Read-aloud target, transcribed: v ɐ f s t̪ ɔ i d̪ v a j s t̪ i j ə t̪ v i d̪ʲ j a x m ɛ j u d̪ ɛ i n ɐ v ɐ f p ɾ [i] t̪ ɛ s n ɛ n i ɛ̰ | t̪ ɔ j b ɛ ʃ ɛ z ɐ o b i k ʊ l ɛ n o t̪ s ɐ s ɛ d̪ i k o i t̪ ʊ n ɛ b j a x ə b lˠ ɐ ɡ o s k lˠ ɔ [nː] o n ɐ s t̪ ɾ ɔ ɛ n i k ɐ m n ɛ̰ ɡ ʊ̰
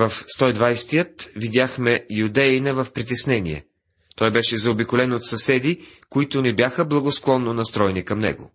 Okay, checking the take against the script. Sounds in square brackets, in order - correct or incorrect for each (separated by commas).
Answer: correct, correct